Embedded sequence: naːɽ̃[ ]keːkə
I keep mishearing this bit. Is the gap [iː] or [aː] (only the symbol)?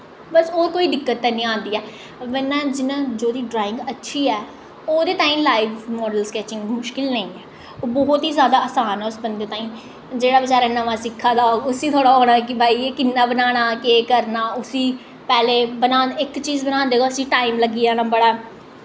aː